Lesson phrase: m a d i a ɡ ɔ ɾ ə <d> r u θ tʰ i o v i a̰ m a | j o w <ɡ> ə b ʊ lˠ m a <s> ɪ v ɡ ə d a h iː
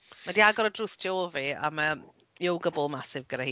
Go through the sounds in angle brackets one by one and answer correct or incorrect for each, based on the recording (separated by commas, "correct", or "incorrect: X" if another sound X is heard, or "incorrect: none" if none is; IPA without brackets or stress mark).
correct, correct, correct